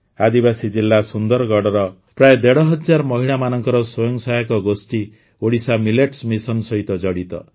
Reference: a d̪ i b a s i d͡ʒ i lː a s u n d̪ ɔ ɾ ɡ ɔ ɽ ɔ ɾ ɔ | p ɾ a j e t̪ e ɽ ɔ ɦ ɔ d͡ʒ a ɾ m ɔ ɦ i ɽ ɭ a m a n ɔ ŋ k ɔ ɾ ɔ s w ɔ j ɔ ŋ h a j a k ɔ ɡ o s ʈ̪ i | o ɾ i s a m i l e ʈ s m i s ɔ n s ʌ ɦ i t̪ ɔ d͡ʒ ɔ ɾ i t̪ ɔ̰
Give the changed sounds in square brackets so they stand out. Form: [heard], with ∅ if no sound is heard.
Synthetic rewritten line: a d̪ i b a s i d͡ʒ i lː a s u n d̪ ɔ ɾ ɡ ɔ ɽ ɔ ɾ ɔ | p ɾ a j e [d̪] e ɽ ɔ ɦ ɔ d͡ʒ a ɾ m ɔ ɦ i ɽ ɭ a m a n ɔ ŋ k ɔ ɾ ɔ s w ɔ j ɔ ŋ [s] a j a k ɔ ɡ o s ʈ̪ i | o [ɽ] i s a m i l e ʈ s m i s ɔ n s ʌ ɦ i t̪ ɔ d͡ʒ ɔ [ɽ] i t̪ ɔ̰

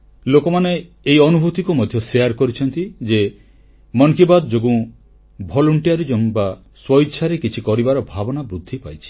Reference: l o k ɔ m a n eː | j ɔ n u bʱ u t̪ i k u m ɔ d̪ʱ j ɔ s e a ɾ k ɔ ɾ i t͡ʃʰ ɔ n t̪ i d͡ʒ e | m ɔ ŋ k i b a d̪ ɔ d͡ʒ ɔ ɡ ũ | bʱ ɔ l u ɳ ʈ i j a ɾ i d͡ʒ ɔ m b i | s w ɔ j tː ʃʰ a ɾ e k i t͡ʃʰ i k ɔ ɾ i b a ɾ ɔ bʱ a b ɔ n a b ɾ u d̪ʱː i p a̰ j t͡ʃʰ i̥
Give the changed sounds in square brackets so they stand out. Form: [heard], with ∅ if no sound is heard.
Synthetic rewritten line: l o k ɔ m a n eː | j ɔ n u bʱ u t̪ i k u m ɔ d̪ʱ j ɔ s e a ɾ k ɔ ɾ i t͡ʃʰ ɔ n t̪ i d͡ʒ e | m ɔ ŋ k i b a d̪ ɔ d͡ʒ [o] ɡ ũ | bʱ ɔ l u ɳ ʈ i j a ɾ i d͡ʒ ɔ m b [a] | s w ɔ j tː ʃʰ a ɾ e k i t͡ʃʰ i k ɔ ɾ i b a ɾ ɔ bʱ a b ɔ n a b ɾ u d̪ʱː i p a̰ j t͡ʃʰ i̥

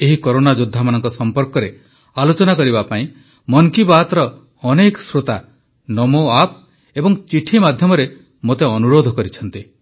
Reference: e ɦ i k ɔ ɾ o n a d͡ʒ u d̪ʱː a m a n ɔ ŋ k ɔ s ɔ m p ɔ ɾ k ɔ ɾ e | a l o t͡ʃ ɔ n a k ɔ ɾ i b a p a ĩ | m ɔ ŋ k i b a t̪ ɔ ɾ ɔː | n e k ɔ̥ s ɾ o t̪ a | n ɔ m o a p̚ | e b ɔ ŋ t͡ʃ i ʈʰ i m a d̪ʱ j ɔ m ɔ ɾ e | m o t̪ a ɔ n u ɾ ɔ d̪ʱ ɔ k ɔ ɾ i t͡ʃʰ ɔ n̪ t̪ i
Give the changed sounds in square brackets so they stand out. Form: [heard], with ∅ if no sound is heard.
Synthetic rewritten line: e ɦ i k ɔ ɾ o n a d͡ʒ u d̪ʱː a m a n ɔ ŋ k ɔ s ɔ m p ɔ ɾ k ɔ ɾ e | a l o t͡ʃ ɔ n a k ɔ ɾ i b a p a ĩ | m ɔ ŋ k i b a t̪ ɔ ɾ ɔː | n e k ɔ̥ s ɾ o t̪ a | n ɔ m o a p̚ | e b ɔ ŋ t͡ʃ i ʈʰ i m a d̪ʱ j ɔ m ɔ ɾ e | m o t̪ [e] ɔ n u ɾ [o] d̪ʱ ɔ k ɔ ɾ i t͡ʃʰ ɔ n̪ t̪ i

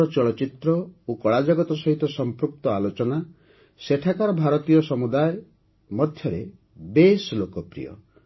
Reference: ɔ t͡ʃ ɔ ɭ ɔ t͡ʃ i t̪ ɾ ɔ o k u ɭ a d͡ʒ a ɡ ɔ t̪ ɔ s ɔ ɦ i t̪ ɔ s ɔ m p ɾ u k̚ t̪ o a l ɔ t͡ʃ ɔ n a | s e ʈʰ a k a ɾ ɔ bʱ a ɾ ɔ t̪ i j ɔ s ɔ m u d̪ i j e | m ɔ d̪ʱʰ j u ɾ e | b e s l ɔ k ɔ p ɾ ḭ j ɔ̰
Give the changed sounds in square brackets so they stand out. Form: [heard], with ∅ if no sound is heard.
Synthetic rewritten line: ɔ t͡ʃ ɔ ɭ ɔ t͡ʃ i t̪ ɾ ɔ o k [ɔ] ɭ a d͡ʒ a ɡ ɔ t̪ ɔ s ɔ ɦ i t̪ ɔ s ɔ m p ɾ u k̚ t̪ [ɔ] a l [o] t͡ʃ ɔ n a | s e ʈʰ a k a ɾ ɔ bʱ a ɾ ɔ t̪ i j ɔ s ɔ m u d̪ [a] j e | m ɔ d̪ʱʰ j [ɔ] ɾ e | b e s l [o] k ɔ p ɾ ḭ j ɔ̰

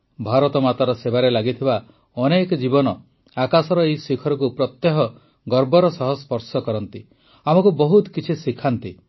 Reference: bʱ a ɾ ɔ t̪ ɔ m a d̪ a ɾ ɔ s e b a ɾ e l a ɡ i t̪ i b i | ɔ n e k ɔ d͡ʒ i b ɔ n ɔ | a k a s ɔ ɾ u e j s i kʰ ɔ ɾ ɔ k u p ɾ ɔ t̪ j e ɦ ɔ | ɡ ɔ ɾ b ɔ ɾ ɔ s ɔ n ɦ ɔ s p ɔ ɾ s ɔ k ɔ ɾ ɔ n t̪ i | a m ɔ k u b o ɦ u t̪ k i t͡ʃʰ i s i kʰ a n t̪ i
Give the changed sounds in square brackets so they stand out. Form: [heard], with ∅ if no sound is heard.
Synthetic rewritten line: bʱ a ɾ ɔ t̪ ɔ m a [t̪] a ɾ ɔ s e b a ɾ e l a ɡ i [t̪ʰ] i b [a] | ɔ n e k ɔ d͡ʒ i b ɔ n ɔ | a k a s ɔ ɾ [ɔ] e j s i kʰ ɔ ɾ ɔ k u p ɾ ɔ t̪ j e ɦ ɔ | ɡ ɔ ɾ b ɔ ɾ ɔ s ɔ [∅] ɦ ɔ s p ɔ ɾ s ɔ k ɔ ɾ ɔ n t̪ i | a m ɔ k u b [ɔ] ɦ u t̪ k i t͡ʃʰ i s i kʰ a n t̪ i

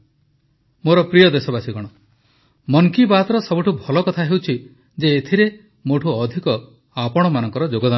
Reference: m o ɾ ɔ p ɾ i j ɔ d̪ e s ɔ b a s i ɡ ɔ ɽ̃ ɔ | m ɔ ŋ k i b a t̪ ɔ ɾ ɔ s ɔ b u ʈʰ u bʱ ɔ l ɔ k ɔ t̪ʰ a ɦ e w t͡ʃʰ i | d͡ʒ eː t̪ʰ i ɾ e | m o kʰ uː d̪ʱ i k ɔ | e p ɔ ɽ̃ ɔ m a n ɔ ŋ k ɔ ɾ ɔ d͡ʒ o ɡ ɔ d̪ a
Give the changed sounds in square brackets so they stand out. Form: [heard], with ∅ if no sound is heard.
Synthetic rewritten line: m o ɾ ɔ p ɾ i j ɔ d̪ e s ɔ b a s i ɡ ɔ ɽ̃ ɔ | m ɔ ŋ k i b a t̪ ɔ ɾ ɔ s ɔ b u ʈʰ u bʱ ɔ l ɔ k ɔ t̪ʰ a ɦ e w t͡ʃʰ i | d͡ʒ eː t̪ʰ i ɾ e | m o [ʈʰ] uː d̪ʱ i k ɔ | [a] p ɔ ɽ̃ ɔ m a n ɔ ŋ k ɔ ɾ ɔ d͡ʒ o ɡ ɔ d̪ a

